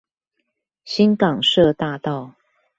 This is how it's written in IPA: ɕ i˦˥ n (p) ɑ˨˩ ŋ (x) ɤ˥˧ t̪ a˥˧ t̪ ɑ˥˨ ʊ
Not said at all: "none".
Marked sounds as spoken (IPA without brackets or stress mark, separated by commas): k, ʂ